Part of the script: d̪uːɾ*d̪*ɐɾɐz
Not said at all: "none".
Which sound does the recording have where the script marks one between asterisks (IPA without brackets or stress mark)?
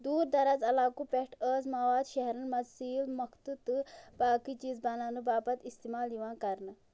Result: d̪